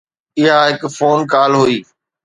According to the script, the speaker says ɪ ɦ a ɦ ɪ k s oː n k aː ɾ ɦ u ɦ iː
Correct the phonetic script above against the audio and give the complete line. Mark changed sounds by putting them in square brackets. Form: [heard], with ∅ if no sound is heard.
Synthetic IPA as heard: ɪ ɦ a ɦ ɪ k [f] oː n k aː [l] ɦ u [∅] iː